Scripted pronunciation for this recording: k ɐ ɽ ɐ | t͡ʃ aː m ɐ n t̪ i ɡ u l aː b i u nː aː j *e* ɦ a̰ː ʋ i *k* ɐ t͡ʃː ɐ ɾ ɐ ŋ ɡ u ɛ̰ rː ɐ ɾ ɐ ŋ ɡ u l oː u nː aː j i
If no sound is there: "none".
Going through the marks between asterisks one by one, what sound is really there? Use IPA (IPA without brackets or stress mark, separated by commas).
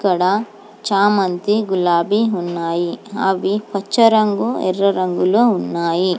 i, p